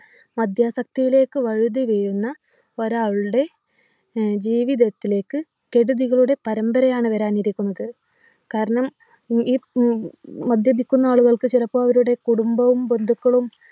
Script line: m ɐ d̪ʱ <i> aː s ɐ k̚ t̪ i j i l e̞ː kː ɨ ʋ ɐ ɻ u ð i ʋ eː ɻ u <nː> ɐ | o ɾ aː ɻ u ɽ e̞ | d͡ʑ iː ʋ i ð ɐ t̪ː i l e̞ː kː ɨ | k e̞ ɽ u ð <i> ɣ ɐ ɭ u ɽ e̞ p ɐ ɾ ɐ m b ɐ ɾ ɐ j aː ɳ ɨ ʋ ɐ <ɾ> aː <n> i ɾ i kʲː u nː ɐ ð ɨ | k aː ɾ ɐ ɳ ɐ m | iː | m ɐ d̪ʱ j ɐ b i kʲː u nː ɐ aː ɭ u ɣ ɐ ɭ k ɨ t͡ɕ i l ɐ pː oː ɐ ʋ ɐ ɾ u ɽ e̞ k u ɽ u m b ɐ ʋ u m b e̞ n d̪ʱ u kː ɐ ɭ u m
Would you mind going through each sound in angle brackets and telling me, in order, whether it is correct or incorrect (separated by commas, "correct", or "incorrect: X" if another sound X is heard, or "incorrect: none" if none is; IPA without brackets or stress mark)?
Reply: incorrect: j, correct, correct, correct, correct